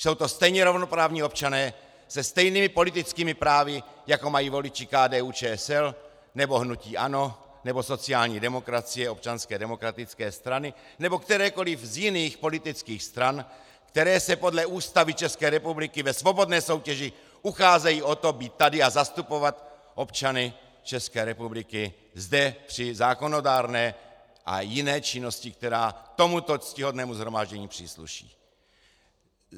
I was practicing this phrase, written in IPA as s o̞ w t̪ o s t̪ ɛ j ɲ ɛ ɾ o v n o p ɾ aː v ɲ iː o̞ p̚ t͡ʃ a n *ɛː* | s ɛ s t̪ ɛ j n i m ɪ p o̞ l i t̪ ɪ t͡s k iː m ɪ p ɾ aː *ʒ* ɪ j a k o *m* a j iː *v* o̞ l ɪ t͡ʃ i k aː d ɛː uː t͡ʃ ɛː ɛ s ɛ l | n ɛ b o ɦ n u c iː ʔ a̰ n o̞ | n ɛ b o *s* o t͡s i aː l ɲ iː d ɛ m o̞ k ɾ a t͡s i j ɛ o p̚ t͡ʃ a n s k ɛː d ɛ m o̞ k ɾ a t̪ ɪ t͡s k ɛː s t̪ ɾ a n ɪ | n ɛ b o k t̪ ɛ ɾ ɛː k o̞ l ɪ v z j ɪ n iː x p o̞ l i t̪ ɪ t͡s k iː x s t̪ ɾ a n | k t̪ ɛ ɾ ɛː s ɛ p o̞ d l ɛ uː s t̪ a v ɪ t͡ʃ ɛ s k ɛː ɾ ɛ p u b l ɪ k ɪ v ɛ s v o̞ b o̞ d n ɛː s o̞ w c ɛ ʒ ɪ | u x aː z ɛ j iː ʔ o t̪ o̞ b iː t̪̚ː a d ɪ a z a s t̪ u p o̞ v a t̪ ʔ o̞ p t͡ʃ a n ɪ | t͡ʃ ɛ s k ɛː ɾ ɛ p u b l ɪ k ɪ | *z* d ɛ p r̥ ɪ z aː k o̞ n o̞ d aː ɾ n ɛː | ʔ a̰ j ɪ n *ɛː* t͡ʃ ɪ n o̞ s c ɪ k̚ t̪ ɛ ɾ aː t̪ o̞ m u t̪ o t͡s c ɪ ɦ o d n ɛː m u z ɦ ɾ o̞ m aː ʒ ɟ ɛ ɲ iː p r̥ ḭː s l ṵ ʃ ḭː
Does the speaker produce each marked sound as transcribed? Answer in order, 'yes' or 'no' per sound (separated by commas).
yes, no, yes, yes, yes, yes, yes